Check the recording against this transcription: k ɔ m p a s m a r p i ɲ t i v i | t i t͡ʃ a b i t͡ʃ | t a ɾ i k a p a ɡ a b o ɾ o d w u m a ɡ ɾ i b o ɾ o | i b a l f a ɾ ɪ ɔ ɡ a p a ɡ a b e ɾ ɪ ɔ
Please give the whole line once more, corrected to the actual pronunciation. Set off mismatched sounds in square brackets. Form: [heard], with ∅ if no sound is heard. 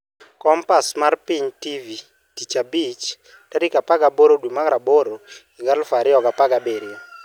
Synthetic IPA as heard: k ɔ m p a s m a r p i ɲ t i v i | t i t͡ʃ a b i t͡ʃ | t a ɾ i k a p a ɡ a b o ɾ o d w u m a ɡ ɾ [a] b o ɾ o | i [ɡ] a l f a ɾ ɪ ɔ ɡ a p a ɡ a b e ɾ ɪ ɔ